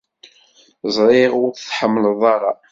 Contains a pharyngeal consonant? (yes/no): yes